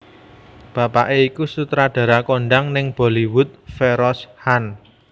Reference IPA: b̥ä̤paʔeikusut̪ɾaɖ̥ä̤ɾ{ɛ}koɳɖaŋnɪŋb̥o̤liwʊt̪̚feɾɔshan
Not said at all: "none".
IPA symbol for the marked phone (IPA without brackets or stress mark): a